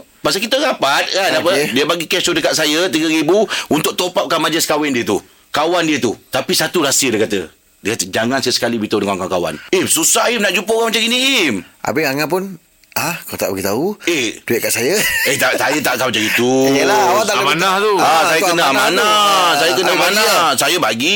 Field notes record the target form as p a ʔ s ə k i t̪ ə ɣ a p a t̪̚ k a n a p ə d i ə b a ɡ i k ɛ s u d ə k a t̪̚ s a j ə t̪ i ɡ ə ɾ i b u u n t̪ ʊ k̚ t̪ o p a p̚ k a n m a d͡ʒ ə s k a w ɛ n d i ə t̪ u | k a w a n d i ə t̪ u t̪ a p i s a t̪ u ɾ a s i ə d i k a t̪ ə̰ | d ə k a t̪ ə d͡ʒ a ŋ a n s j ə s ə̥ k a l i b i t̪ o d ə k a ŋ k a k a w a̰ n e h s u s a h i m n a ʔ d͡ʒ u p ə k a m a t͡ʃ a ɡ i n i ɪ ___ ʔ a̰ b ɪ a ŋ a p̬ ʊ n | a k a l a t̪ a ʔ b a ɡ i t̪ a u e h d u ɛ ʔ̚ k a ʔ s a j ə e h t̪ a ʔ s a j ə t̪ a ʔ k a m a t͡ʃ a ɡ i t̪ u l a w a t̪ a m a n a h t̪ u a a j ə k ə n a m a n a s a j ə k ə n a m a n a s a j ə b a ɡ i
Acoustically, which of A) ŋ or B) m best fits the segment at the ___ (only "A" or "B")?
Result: B